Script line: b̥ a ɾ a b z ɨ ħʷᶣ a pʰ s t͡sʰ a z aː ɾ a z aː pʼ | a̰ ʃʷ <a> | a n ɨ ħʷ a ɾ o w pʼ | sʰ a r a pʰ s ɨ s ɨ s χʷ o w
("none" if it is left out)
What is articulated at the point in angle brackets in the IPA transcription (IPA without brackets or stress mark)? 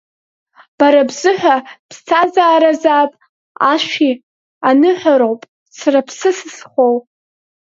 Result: i